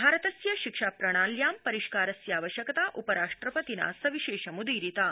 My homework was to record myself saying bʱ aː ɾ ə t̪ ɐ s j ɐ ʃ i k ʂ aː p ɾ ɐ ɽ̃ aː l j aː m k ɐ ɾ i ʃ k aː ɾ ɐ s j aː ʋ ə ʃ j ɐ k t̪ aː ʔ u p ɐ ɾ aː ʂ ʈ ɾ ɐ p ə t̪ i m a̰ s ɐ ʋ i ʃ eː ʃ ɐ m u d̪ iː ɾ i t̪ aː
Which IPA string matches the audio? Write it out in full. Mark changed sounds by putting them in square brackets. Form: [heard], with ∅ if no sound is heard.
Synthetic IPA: bʱ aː ɾ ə t̪ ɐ s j ɐ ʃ i k ʂ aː p ɾ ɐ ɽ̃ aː l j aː m [p] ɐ ɾ i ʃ k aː ɾ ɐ s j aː ʋ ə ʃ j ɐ k t̪ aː ʔ u p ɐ ɾ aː ʂ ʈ ɾ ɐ p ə t̪ i [n] a̰ s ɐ ʋ i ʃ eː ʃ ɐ m u d̪ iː ɾ i t̪ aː